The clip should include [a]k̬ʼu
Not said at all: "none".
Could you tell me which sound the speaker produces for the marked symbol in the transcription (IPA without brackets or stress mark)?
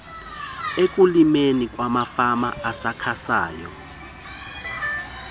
e